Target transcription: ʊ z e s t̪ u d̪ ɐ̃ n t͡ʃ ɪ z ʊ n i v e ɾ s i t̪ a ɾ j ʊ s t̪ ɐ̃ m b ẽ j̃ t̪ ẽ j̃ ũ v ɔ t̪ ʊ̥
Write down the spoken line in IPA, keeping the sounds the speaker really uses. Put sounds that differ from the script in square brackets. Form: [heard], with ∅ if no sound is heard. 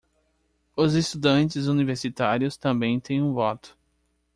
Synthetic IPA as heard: ʊ z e s t̪ u d̪ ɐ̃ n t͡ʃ ɪ z [u] n i v e ɾ s i t̪ a ɾ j ʊ s t̪ ɐ̃ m b ẽ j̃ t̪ ẽ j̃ ũ v ɔ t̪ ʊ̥